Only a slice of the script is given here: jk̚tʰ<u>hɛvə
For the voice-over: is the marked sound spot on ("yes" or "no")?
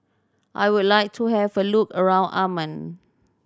yes